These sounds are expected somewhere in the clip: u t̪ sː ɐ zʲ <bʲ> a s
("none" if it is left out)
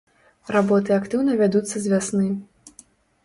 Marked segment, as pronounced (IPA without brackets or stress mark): vʲ